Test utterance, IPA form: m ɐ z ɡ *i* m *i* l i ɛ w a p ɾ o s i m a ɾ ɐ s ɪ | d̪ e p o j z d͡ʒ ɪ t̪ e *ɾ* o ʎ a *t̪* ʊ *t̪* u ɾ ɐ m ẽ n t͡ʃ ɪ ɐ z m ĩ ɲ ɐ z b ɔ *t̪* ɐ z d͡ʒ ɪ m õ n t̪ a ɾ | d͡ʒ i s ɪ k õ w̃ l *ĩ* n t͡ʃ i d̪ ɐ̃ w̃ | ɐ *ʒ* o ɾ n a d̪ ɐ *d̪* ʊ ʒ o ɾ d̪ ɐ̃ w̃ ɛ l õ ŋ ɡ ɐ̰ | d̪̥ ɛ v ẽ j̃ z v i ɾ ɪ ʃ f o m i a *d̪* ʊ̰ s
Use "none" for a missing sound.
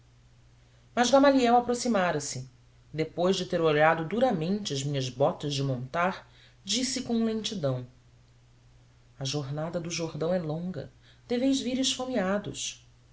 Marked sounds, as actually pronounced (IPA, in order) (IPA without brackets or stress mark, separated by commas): a, a, ɾ, d̪, d̪, t̪, ẽ, ʒ, d̪, d̪